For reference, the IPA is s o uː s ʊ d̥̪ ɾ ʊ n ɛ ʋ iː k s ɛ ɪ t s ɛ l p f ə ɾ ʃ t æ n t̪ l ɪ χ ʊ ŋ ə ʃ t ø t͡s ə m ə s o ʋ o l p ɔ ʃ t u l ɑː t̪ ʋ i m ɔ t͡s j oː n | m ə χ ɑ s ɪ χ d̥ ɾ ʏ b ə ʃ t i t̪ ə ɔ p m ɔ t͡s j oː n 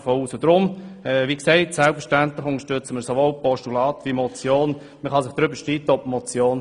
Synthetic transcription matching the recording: f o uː s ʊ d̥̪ ɾ ʊ m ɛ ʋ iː k s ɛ ɪ t s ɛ l p f ə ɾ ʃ t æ n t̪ l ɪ χ ʊ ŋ ə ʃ t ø t͡s ə m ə s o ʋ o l p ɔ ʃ t u l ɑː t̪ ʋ i m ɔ t͡s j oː n | m ə χ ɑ s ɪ χ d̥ ɾ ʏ b ə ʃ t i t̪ ə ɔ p m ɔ t͡s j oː n